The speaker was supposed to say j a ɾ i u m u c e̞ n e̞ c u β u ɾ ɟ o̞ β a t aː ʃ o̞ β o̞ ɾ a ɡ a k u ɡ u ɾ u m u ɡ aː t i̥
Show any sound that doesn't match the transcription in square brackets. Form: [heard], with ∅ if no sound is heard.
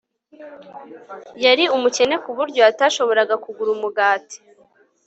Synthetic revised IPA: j a ɾ i u m u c e̞ n e̞ [k] u β u ɾ ɟ o̞ [∅] a t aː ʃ o̞ β o̞ ɾ a ɡ a k u ɡ u ɾ u m u ɡ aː t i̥